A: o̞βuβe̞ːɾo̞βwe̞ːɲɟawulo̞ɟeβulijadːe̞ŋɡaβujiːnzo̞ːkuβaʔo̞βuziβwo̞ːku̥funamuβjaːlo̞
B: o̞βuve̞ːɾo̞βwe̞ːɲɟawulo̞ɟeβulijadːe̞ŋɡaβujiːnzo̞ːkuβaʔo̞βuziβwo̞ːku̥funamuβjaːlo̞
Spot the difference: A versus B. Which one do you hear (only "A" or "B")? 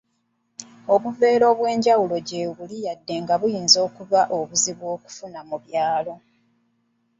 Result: B